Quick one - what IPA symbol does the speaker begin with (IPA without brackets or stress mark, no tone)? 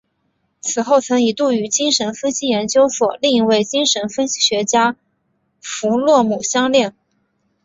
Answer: t͡sʰ